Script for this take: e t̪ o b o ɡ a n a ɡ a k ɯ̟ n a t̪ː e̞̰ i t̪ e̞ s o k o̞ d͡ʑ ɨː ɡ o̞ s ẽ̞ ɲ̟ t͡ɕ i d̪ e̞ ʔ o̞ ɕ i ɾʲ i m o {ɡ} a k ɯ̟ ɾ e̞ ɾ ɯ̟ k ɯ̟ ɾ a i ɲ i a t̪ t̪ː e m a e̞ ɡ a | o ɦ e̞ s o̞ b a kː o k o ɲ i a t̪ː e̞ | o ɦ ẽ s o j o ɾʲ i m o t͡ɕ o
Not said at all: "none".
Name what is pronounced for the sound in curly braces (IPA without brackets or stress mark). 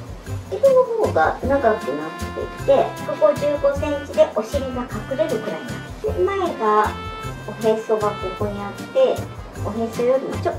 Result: k